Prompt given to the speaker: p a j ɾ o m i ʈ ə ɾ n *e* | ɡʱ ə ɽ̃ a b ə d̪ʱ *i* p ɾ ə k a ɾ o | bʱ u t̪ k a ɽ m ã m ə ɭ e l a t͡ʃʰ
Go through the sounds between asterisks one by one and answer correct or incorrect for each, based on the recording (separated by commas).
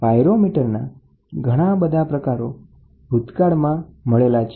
incorrect, incorrect